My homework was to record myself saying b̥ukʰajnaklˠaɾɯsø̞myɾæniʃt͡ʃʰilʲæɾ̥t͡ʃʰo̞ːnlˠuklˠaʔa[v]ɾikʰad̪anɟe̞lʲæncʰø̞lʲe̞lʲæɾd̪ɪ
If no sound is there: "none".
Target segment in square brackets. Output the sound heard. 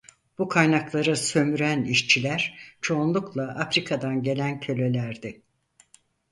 f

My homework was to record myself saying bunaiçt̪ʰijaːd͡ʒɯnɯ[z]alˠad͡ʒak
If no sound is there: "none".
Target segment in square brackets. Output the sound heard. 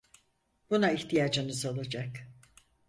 z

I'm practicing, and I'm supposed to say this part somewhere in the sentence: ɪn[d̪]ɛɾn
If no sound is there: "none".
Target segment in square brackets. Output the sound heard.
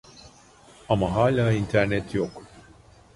t̪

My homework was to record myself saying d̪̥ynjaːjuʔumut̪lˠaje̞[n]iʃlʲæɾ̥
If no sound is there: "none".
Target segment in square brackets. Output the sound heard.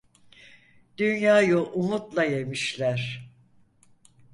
m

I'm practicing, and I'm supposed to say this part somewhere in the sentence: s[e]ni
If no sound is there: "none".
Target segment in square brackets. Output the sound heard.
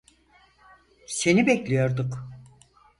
e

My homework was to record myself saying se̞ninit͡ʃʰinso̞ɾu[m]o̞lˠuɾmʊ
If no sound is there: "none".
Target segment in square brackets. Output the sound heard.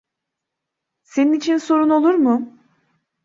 n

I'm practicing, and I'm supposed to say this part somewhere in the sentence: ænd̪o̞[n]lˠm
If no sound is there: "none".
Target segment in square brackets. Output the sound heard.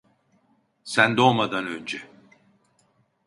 none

